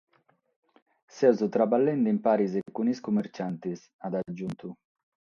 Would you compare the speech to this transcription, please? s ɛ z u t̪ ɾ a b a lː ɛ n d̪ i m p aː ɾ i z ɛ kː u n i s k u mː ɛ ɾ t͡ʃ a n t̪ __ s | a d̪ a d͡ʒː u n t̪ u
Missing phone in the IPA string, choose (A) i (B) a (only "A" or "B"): A